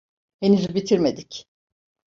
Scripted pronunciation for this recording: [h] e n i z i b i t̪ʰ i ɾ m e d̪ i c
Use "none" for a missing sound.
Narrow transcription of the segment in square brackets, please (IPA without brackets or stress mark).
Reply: h